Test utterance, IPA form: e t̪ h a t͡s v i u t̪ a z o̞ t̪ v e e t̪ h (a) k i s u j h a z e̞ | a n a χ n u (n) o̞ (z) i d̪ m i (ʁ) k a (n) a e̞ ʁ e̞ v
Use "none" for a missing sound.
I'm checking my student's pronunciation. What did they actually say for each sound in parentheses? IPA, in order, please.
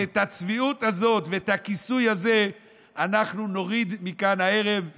a, n, ʁ, none, n

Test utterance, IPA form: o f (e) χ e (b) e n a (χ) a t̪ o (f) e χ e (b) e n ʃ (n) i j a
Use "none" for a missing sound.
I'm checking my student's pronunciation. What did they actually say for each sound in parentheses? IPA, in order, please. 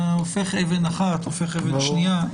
e, v, χ, f, v, n

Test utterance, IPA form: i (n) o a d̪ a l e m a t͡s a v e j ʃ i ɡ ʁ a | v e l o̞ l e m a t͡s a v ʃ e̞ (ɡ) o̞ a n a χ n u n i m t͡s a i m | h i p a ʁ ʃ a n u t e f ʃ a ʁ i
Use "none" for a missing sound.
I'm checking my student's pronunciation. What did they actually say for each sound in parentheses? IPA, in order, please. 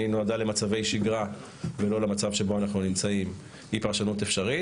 n, b

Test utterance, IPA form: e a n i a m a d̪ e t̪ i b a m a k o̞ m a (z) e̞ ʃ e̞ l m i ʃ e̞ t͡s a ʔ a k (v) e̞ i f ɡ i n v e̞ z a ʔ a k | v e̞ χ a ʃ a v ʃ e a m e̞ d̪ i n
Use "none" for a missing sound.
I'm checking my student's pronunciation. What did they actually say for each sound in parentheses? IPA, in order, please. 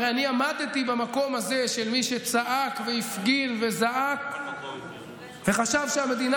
z, v

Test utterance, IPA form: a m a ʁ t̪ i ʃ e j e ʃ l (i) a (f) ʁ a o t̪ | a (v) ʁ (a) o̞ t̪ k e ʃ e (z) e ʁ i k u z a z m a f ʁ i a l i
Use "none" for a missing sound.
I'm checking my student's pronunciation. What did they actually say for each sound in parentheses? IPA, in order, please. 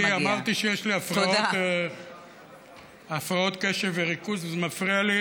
i, f, f, a, v

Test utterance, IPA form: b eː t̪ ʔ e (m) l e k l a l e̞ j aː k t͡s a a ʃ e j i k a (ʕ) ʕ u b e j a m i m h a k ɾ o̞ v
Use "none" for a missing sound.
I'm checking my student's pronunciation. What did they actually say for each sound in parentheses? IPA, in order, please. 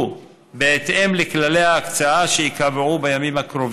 m, v

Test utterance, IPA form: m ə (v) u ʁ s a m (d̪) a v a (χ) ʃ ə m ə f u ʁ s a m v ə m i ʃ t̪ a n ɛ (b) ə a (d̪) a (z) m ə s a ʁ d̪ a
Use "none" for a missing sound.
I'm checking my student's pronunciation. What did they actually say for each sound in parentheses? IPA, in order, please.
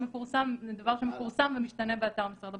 f, d̪, ʁ, b, t̪, ʁ

